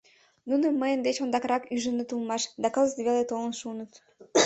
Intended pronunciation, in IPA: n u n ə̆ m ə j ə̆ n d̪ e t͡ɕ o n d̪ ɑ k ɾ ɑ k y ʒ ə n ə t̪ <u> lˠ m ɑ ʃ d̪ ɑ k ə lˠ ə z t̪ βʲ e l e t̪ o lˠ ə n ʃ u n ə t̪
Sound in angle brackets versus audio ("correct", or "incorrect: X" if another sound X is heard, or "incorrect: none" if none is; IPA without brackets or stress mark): correct